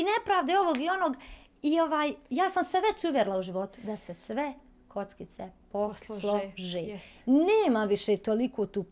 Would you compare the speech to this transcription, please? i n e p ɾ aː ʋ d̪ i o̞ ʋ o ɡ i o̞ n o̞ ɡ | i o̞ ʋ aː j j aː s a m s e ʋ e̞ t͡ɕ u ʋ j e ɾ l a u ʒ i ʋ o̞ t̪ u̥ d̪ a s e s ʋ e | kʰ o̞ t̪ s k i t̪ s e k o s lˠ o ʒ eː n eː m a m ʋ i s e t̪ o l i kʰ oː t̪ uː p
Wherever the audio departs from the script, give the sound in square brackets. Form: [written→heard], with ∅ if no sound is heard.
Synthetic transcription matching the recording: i n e p ɾ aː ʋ d̪ [i→e] o̞ ʋ o ɡ i o̞ n o̞ ɡ | i o̞ ʋ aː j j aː s a m s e ʋ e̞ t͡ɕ u ʋ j e ɾ l a u ʒ i ʋ o̞ t̪ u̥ d̪ a s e s ʋ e | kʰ o̞ t̪ s k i t̪ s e [k→p] o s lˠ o ʒ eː n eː m a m ʋ i [s→ʃ] e t̪ o l i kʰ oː t̪ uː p